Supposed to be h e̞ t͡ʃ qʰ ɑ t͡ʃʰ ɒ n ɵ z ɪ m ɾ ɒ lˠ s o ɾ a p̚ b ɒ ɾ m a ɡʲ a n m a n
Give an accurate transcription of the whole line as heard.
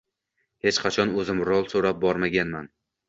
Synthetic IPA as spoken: h e̞ t͡ʃ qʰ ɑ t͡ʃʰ ɒ n ɵ z ɪ m ɾ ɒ lˠ s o ɾ a p̚ b ɒ ɾ m a ɡʲ a n m a n